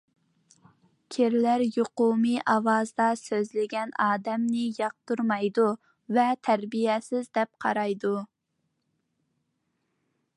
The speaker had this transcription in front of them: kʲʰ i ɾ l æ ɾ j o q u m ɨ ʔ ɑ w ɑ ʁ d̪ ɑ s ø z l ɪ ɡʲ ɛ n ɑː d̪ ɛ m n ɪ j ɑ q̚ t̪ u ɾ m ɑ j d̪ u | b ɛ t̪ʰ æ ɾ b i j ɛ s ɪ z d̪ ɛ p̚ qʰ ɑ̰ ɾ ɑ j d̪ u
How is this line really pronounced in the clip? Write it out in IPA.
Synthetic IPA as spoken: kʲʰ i ɾ l æ ɾ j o q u m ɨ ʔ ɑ w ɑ z d̪ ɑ s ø z l ɪ ɡʲ ɛ n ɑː d̪ ɛ m n ɪ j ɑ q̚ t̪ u ɾ m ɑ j d̪ u | v ɛ t̪ʰ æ ɾ b i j ɛ s ɪ z d̪ ɛ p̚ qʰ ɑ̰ ɾ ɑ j d̪ u